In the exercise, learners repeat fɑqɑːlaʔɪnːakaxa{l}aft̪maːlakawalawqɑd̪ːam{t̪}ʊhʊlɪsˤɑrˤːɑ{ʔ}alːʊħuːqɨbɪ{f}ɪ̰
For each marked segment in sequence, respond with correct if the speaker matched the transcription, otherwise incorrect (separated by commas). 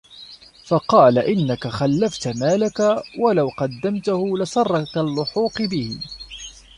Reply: incorrect, correct, incorrect, incorrect